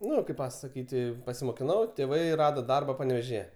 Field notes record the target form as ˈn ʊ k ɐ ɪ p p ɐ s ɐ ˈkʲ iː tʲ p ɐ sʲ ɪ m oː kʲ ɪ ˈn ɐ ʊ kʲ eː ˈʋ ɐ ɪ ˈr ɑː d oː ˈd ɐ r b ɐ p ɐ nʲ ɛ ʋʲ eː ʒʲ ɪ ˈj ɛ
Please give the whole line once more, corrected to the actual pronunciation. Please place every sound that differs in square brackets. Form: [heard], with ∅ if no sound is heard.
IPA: ˈn ʊ k ɐ ɪ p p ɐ s ɐ ˈkʲ iː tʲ p ɐ sʲ ɪ m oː kʲ ɪ ˈn ɐ ʊ [tʲ] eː ˈʋ ɐ ɪ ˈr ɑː d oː ˈd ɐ r b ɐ p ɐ nʲ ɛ ʋʲ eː ʒʲ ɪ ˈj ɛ

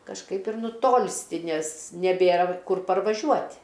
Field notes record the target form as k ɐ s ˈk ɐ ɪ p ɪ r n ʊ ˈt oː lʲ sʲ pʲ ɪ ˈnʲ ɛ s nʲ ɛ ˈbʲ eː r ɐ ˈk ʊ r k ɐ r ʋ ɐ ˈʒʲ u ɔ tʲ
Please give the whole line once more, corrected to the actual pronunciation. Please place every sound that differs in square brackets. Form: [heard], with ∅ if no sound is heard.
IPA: k ɐ [ʃ] ˈk ɐ ɪ p ɪ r n ʊ ˈt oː lʲ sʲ [tʲ] ɪ ˈnʲ ɛ s nʲ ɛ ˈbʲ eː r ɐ ˈk ʊ r [p] ɐ r ʋ ɐ ˈʒʲ u ɔ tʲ

